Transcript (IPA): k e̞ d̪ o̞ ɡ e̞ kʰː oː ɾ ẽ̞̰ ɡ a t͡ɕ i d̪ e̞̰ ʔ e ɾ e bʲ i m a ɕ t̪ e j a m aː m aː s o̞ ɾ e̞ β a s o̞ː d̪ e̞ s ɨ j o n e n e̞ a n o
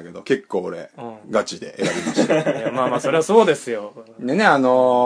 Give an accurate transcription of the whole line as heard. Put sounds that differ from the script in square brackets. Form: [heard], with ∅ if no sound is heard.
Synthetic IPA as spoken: k e̞ d̪ o̞ [k] e̞ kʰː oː ɾ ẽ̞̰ ɡ a t͡ɕ i d̪ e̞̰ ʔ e ɾ [a] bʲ i m a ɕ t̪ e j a m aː m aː s o̞ ɾ e̞ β a s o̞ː d̪ e̞ s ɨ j o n e n e̞ a n o